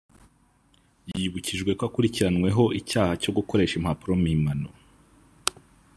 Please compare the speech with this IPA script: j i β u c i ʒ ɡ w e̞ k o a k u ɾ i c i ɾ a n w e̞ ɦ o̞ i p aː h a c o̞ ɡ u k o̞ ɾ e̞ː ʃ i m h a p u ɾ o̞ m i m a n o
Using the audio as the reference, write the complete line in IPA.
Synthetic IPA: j i β u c i ʒ ɡ w e̞ k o a k u ɾ i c i ɾ a n w e̞ ɦ o̞ i c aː h a c o̞ ɡ u k o̞ ɾ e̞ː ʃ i m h a p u ɾ o̞ m i m a n o